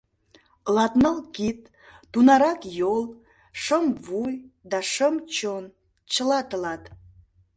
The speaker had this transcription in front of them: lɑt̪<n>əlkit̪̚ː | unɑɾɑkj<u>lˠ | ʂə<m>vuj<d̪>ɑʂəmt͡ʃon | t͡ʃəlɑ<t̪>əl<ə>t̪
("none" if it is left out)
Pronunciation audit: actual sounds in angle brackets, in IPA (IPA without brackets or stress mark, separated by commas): n, o, m, d̪, t̪, ɑ